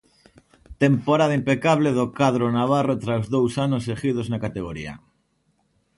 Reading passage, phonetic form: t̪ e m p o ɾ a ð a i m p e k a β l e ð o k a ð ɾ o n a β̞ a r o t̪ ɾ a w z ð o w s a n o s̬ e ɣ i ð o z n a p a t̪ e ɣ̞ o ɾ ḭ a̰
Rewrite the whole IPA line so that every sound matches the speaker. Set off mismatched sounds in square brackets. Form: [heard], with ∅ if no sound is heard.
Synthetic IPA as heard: t̪ e m p o ɾ a ð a i m p e k a β l e ð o k a ð ɾ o n a β̞ a r o t̪ ɾ a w z ð o w s a n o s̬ e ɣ i ð o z n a [k] a t̪ e ɣ̞ o ɾ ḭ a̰